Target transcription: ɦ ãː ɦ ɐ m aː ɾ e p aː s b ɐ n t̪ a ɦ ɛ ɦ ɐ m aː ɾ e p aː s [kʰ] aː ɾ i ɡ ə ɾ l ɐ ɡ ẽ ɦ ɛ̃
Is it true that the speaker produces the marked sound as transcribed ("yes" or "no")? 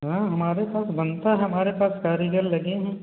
no